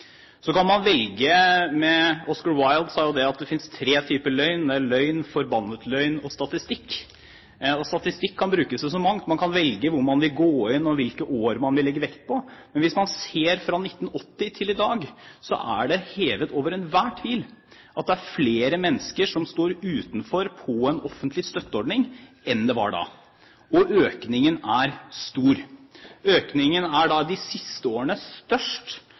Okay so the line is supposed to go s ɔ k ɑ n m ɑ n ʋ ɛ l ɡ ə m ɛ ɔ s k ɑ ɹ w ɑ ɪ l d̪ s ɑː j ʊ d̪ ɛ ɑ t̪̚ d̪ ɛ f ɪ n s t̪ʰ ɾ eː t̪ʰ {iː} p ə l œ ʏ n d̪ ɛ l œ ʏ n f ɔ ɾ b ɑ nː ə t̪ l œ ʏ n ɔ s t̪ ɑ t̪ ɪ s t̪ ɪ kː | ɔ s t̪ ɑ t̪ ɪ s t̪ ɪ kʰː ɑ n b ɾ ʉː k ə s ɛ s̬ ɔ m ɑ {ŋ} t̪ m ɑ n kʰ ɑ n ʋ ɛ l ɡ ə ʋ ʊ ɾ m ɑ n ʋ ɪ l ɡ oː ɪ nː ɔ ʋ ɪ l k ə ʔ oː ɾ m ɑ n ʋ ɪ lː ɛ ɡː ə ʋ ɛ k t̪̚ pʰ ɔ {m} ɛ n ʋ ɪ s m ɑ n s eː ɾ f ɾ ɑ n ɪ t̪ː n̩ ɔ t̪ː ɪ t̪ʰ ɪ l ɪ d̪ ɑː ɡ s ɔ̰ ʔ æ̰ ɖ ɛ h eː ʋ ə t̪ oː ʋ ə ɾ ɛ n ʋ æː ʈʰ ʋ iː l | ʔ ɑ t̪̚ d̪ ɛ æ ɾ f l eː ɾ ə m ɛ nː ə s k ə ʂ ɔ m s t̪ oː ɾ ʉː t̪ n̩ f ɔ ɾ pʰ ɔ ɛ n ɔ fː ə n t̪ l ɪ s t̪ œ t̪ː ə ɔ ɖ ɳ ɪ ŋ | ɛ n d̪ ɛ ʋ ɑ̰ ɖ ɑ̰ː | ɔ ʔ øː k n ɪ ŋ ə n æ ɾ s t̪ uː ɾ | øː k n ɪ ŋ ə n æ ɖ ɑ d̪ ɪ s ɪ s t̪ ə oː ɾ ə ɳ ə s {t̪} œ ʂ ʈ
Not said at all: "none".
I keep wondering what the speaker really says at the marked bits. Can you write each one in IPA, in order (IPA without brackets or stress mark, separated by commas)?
yː, ŋ, m, t̪